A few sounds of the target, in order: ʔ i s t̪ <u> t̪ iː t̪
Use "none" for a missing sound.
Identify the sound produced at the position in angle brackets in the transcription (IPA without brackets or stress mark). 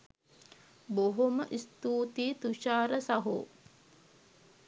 uː